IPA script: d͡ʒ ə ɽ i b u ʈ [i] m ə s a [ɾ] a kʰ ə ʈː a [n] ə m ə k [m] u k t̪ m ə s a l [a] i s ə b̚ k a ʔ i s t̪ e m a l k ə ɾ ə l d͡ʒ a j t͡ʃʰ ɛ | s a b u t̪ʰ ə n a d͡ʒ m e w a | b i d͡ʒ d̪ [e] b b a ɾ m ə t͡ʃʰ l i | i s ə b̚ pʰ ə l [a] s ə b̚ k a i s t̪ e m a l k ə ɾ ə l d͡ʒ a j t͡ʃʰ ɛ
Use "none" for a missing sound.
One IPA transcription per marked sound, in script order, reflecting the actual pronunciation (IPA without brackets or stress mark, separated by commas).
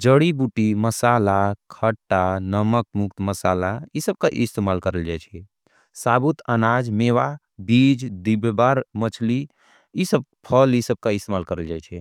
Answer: i, l, n, m, a, i, i